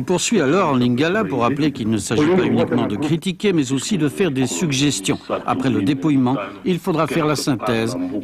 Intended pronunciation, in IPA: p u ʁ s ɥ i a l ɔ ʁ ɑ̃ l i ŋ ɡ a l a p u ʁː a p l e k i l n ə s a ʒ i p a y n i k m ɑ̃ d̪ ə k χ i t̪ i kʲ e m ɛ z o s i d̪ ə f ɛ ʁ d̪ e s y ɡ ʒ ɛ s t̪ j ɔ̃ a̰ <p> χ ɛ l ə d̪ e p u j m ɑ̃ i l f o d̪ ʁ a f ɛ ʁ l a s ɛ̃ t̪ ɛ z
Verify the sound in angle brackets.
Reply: correct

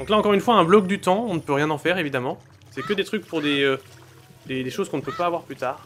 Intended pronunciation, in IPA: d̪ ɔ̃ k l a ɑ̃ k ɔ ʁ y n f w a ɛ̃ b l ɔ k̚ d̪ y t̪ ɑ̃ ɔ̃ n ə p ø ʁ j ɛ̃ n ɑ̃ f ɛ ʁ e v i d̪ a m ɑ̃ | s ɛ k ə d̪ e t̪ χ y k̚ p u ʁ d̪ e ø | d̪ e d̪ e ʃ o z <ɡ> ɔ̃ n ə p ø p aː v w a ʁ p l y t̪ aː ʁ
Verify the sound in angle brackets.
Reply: incorrect: k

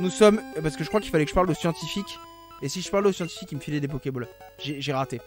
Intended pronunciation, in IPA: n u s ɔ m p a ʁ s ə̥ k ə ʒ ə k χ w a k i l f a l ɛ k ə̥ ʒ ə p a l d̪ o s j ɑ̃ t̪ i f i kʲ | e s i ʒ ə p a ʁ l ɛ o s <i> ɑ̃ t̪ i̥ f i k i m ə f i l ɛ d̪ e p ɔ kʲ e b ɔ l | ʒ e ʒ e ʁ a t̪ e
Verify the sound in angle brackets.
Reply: incorrect: j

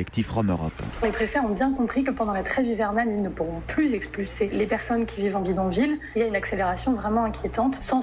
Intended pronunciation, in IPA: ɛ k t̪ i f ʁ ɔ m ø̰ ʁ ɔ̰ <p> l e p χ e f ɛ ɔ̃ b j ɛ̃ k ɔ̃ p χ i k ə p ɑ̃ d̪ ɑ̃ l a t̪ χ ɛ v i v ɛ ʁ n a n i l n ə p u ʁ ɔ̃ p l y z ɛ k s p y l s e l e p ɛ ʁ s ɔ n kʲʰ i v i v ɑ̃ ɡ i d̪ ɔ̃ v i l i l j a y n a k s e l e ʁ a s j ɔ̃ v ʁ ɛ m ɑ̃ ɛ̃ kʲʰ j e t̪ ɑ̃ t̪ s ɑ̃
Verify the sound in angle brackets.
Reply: correct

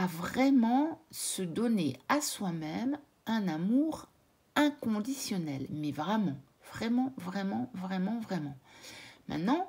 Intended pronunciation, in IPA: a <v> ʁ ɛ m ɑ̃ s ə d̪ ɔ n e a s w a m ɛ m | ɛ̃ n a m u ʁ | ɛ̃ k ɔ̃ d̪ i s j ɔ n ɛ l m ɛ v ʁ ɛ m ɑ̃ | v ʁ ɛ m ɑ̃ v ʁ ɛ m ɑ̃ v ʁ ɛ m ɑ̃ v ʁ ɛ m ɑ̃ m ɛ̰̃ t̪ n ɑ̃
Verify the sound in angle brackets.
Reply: correct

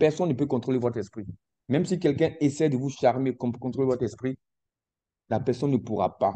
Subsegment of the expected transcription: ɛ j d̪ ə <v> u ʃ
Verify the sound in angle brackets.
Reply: correct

